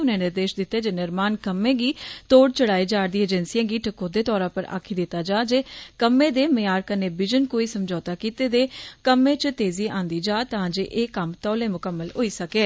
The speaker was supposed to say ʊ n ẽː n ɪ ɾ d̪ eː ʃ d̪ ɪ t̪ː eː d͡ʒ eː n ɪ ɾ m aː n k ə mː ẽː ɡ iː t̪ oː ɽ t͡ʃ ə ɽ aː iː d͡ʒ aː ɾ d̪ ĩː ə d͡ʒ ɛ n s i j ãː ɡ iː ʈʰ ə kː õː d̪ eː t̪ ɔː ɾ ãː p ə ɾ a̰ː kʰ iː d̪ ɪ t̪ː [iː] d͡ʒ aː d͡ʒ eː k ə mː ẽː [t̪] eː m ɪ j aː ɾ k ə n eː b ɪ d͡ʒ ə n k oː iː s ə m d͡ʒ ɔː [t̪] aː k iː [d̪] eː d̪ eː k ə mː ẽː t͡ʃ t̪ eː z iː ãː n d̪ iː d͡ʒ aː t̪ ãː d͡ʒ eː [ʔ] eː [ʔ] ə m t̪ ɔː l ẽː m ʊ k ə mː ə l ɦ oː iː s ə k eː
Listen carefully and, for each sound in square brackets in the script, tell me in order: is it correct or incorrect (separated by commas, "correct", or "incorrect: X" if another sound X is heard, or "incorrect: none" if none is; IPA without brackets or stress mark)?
incorrect: aː, incorrect: d̪, correct, incorrect: t̪, correct, incorrect: k